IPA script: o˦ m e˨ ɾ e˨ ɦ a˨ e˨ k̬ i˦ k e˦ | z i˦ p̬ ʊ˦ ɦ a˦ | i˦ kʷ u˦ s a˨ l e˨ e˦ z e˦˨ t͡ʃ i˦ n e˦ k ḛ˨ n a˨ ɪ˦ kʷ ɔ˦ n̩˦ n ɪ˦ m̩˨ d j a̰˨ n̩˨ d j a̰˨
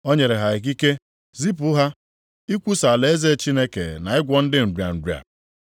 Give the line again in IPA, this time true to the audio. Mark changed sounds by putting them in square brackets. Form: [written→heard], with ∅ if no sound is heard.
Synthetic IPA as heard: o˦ [m→ɲ] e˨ ɾ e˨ ɦ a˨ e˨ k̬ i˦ k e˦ | z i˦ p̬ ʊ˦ ɦ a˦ | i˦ kʷ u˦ s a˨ l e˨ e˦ z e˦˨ t͡ʃ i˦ n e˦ k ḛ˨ n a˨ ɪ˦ [kʷ→ɡʷ] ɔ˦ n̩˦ [n→d] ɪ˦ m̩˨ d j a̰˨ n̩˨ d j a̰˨